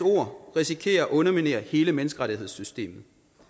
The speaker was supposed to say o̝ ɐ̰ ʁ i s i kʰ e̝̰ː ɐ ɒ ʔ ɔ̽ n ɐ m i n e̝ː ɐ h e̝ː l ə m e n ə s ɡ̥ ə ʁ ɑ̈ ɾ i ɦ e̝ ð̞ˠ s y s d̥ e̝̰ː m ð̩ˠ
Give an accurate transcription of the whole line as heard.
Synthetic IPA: o̝ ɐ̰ ʁ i s i kʰ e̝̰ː ɐ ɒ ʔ ɔ̽ n ɐ m i n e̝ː ɐ h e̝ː l ə m e n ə s ɡ̥ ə ʁ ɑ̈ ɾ i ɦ e̝ ð̞ˠ s y s d̥ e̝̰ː m ð̩ˠ